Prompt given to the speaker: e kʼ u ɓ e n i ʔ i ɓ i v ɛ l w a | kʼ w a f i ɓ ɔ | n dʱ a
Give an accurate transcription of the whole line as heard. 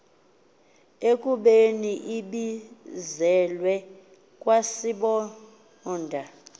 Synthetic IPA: e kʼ u ɓ e n i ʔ i ɓ i z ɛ l w ɛ | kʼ w a s i ɓ ɔ | n dʱ a